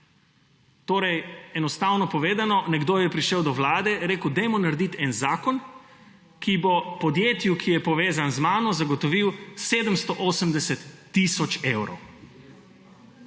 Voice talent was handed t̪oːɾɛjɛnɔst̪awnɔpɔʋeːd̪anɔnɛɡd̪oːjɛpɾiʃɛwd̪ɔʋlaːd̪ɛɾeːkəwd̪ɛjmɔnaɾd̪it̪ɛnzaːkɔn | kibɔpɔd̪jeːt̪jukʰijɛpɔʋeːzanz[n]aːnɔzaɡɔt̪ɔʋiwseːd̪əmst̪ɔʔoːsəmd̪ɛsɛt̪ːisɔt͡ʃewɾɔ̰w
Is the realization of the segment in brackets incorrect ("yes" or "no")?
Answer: yes